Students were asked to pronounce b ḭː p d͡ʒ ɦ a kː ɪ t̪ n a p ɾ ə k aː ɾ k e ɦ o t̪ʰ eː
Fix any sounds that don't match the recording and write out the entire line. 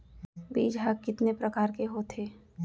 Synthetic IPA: b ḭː d͡ʒ ɦ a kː ɪ t̪ n e p ɾ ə k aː ɾ k e ɦ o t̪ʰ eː